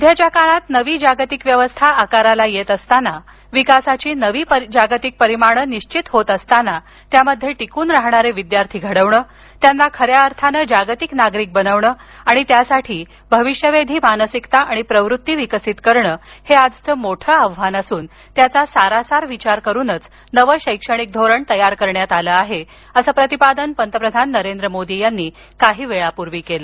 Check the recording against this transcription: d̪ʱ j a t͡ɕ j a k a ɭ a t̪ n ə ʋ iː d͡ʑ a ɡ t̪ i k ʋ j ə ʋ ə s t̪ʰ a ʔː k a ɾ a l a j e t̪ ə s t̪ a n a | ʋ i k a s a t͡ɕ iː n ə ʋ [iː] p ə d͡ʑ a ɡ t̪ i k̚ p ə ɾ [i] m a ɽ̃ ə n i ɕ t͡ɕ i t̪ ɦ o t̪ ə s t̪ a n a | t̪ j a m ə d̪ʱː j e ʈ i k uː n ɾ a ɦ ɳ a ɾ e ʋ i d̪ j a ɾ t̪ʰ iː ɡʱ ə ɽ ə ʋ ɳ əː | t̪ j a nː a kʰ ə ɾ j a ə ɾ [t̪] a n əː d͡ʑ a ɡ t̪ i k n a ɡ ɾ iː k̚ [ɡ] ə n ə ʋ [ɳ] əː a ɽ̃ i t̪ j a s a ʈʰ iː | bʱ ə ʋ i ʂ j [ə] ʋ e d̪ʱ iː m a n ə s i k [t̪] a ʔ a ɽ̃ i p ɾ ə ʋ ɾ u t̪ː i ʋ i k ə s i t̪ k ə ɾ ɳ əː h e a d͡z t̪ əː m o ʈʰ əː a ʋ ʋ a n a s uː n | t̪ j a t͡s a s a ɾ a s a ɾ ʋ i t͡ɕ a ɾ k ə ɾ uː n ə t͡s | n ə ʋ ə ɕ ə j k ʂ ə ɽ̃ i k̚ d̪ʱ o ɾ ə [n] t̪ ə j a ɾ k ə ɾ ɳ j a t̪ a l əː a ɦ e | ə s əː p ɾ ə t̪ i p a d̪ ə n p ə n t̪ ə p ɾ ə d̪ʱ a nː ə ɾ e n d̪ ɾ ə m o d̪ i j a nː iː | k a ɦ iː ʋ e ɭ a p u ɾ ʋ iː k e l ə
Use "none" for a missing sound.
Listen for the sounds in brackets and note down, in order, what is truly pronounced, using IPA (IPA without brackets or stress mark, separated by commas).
iː, i, t̪ʰ, b, ɳ, ə, t̪, ɳ